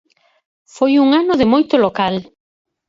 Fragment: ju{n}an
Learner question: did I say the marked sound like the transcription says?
no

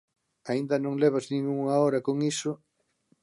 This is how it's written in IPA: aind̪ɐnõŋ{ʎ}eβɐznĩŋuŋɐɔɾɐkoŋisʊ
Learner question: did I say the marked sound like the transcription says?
no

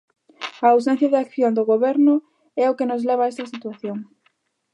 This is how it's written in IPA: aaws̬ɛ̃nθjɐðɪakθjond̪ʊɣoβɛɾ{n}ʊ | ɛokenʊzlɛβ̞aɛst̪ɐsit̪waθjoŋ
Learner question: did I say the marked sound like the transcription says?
yes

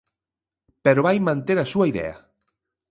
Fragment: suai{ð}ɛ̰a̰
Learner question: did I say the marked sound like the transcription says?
yes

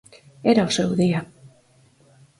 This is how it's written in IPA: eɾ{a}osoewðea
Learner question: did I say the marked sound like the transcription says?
yes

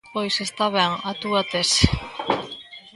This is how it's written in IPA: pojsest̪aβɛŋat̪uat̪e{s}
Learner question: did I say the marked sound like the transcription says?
yes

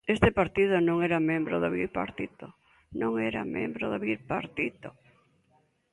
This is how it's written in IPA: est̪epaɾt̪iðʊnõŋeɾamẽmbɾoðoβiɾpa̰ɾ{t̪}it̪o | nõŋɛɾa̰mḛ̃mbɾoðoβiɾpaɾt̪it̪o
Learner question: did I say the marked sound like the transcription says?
yes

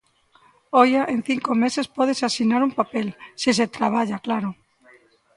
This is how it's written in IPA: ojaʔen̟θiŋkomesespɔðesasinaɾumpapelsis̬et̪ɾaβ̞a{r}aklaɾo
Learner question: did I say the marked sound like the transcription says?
no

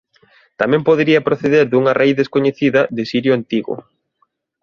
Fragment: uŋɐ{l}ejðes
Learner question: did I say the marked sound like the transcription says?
no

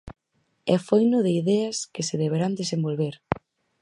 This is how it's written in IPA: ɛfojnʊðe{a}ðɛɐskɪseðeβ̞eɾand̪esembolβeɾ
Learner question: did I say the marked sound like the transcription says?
no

